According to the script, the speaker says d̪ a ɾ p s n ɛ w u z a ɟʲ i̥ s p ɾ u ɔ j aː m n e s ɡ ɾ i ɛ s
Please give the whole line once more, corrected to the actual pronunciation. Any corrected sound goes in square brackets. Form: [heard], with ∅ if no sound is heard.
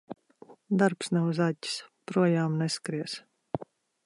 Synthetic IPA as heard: d̪ a ɾ p s n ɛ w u z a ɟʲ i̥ s p ɾ u ɔ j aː m n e s [k] ɾ i ɛ s

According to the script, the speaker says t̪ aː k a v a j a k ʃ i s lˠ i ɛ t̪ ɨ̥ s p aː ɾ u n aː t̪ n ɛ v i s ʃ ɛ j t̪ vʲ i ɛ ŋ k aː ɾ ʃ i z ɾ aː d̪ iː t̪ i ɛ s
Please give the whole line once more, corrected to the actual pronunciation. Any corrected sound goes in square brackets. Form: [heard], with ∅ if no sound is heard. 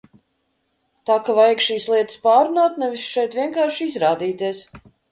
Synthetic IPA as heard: t̪ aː k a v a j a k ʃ [iː] s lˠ i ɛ t̪ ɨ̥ s p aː ɾ u n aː t̪ n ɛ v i s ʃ ɛ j t̪ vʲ i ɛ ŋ k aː ɾ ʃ i z ɾ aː d̪ iː t̪ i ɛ s

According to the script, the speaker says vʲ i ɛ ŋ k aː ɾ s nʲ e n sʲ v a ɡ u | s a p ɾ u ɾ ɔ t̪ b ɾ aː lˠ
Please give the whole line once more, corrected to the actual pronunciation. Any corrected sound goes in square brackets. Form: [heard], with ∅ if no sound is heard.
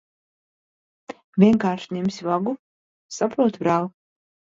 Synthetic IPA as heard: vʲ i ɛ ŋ k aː ɾ [ʃ] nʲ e [m] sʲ v a ɡ u | s a p ɾ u [∅] ɔ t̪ b ɾ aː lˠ

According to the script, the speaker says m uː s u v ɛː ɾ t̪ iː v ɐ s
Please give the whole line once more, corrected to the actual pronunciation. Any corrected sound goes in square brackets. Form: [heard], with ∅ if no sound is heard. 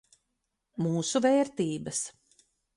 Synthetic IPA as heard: m uː s u v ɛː ɾ t̪ iː [b] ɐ s

